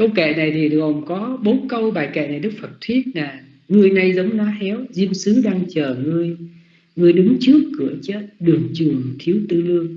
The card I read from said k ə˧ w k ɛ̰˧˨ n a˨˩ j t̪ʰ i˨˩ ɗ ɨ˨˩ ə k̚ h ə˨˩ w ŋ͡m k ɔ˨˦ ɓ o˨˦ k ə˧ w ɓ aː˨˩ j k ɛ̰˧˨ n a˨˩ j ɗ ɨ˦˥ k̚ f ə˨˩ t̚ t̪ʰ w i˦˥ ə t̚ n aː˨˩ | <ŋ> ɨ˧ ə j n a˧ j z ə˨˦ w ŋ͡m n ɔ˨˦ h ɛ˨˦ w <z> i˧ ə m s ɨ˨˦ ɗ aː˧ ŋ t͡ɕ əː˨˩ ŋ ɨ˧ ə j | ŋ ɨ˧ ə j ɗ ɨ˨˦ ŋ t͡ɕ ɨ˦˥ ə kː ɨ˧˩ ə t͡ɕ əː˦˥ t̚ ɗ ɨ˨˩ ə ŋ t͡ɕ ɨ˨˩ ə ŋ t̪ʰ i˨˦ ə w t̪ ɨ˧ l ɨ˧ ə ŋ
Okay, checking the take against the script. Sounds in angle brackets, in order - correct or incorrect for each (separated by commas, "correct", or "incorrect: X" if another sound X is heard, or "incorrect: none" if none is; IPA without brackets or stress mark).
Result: correct, correct